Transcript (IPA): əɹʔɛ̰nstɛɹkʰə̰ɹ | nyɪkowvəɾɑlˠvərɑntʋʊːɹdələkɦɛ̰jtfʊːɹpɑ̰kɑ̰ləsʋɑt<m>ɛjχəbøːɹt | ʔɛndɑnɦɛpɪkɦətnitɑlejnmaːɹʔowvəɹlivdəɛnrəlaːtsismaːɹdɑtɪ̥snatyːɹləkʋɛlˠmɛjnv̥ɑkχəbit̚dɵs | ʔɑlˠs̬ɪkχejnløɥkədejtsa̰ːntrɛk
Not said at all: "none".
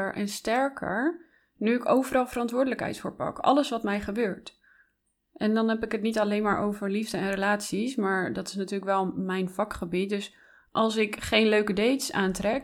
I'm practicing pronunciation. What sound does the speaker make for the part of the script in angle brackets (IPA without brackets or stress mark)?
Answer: m